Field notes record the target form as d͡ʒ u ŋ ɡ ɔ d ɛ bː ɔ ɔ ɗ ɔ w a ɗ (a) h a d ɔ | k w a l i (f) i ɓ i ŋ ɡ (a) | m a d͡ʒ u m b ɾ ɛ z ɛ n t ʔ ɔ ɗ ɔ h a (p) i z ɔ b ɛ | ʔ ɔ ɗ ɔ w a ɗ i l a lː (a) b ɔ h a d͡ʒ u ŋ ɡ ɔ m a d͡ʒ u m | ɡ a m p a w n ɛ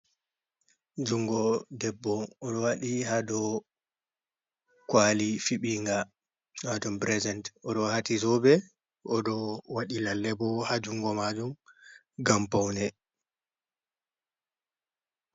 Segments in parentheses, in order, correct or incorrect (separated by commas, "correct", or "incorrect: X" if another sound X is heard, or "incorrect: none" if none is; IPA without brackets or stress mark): incorrect: i, correct, correct, incorrect: t, incorrect: ɛ